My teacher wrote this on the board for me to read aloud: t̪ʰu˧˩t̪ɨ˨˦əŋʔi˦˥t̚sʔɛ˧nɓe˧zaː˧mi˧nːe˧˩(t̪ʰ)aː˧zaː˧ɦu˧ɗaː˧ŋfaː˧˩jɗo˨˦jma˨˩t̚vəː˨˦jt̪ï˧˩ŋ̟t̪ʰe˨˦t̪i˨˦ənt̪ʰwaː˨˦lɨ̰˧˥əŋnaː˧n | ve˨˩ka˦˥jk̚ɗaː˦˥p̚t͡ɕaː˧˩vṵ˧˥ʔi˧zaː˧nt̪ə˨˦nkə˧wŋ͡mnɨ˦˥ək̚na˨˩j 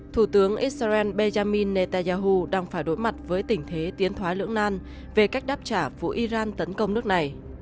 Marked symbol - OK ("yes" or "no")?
no